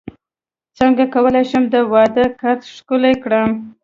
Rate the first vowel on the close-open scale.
mid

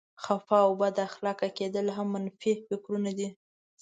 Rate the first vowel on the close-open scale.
open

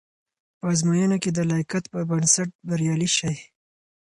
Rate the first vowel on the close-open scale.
mid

